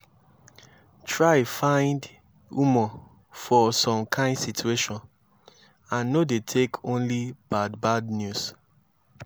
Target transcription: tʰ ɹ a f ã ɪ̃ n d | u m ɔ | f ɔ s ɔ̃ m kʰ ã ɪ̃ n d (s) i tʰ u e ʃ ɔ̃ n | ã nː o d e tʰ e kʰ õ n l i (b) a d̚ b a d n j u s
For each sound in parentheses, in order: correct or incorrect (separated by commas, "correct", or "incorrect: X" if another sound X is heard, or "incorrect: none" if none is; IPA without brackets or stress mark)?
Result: correct, correct